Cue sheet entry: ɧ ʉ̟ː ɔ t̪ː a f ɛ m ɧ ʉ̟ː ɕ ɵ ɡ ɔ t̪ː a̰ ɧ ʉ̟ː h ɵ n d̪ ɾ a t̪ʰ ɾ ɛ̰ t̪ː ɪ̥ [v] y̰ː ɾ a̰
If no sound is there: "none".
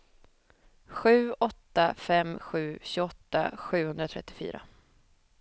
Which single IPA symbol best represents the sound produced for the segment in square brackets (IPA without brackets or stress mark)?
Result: f